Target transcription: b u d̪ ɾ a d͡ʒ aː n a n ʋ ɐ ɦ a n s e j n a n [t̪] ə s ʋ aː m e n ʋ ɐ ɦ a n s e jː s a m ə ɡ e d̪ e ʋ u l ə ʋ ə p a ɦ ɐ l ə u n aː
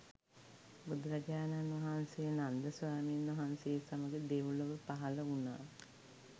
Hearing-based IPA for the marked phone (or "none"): d̪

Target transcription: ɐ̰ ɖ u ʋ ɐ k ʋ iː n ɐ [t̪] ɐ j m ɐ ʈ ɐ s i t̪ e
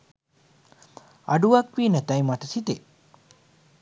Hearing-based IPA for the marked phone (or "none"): t̪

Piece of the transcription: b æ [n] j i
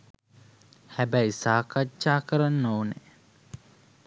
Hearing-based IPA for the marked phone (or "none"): none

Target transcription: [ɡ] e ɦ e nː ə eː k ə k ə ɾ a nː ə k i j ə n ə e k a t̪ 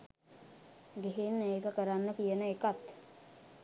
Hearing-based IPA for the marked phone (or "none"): ɡ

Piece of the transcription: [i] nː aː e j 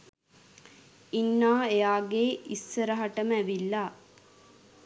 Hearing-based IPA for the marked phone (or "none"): i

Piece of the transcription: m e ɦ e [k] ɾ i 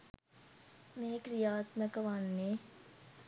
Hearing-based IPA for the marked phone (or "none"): k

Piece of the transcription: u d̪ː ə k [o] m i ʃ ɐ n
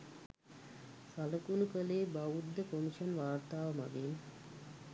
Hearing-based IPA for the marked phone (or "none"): o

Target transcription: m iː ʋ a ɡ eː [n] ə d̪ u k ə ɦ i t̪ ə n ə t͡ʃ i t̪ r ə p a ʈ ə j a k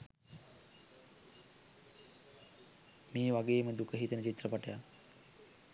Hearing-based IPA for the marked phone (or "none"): m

